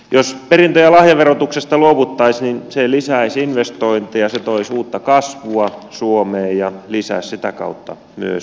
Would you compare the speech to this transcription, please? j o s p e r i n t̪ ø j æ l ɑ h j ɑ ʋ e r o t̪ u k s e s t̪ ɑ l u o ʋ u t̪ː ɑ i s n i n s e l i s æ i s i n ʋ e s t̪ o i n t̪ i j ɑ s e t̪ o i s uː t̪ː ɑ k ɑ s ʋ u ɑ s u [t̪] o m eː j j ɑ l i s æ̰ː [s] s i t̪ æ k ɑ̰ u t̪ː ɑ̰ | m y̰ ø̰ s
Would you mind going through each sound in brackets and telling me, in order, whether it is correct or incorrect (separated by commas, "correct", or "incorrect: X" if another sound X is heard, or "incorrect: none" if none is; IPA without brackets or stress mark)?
incorrect: none, correct